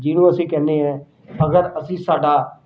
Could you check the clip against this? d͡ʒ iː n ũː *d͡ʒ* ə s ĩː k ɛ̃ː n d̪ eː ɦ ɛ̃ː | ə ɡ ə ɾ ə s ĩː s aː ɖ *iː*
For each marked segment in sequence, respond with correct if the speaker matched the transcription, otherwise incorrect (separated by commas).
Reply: incorrect, incorrect